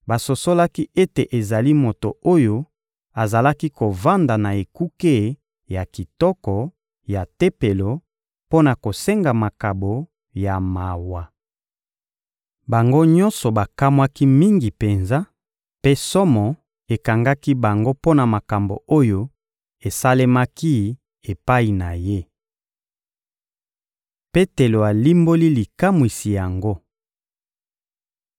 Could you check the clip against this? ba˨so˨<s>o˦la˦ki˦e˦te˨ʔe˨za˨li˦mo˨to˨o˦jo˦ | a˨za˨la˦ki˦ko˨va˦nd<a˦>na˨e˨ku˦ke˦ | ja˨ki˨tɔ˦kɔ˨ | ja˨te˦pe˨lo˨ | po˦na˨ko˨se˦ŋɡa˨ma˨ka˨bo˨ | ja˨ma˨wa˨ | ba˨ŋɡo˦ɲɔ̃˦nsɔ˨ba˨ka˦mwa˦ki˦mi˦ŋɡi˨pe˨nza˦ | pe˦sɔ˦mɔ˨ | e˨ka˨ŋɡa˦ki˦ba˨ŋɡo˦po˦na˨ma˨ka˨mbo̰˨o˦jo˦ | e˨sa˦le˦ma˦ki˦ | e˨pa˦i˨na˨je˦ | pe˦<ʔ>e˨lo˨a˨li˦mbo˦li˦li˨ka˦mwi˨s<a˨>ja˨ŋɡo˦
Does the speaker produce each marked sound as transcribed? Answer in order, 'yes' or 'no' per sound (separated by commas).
yes, no, no, no